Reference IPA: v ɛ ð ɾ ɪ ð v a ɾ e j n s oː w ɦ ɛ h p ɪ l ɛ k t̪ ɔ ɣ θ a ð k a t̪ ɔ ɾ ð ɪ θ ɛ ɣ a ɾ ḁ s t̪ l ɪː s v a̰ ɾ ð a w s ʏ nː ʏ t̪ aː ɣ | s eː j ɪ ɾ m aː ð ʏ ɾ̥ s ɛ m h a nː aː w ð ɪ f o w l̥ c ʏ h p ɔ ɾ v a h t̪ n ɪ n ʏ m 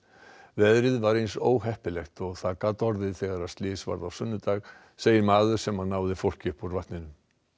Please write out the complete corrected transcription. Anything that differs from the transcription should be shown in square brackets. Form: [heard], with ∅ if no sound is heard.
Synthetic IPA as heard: v ɛ ð ɾ ɪ ð v a ɾ e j n s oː w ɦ ɛ h p ɪ l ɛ [x] t̪ ɔ ɣ θ a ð k a t̪ ɔ ɾ ð ɪ θ ɛ ɣ a ɾ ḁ s t̪ l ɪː s v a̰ ɾ ð a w s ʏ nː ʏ t̪ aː ɣ | s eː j ɪ ɾ m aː ð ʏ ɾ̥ s ɛ m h a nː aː w ð ɪ f o w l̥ c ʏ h p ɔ ɾ v a h t̪ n ɪ n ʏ m